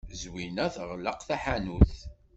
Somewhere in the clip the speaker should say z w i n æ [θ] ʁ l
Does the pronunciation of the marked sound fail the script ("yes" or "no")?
no